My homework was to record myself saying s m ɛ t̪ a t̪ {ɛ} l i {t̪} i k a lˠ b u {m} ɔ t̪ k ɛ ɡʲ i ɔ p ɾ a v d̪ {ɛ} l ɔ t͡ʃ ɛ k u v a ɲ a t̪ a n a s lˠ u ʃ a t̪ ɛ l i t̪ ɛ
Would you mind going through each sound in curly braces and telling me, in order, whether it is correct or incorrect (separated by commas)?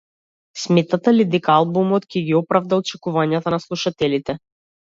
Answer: incorrect, incorrect, correct, incorrect